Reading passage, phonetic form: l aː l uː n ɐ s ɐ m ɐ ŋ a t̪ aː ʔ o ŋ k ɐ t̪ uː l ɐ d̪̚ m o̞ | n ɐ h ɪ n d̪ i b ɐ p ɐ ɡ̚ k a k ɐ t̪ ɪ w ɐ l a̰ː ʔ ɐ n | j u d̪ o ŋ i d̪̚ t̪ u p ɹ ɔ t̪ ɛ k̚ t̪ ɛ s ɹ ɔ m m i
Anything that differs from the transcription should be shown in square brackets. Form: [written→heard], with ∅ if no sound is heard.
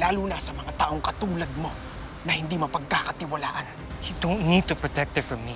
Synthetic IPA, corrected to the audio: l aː l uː n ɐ s ɐ m ɐ ŋ a t̪ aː ʔ o ŋ k ɐ t̪ uː l ɐ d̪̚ m o̞ | n ɐ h ɪ n d̪ i [b→m] ɐ p ɐ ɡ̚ k a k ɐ t̪ ɪ w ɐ l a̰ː ʔ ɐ n | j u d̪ o [ŋ→n] i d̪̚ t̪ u p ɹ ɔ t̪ ɛ k̚ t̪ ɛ [s→f] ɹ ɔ m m i